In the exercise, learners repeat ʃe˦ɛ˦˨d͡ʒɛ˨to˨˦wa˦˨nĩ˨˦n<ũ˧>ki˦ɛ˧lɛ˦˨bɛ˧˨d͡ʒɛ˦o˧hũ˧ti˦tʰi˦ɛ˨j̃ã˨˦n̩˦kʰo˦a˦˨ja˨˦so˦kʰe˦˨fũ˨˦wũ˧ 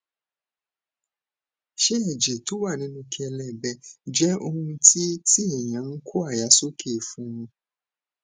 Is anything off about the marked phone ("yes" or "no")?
no